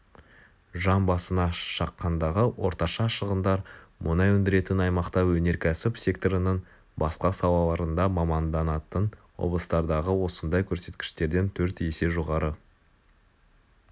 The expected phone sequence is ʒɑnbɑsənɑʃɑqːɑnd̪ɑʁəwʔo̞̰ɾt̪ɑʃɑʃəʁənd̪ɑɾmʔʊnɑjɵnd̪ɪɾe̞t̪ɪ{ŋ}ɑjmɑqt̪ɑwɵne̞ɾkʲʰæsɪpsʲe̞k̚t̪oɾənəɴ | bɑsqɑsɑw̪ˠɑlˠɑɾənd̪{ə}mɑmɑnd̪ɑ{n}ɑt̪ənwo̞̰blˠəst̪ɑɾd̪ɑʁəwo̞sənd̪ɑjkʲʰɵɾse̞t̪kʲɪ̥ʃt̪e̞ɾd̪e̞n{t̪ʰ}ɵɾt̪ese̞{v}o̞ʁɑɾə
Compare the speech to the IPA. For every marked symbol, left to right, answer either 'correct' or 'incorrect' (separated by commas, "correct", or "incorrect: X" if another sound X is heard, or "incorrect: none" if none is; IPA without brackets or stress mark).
incorrect: n, incorrect: ɑ, correct, correct, incorrect: ʒ